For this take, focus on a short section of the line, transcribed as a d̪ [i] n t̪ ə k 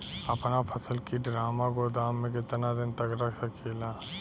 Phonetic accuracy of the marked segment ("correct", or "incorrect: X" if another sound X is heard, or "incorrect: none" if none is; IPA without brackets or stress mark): incorrect: ɪ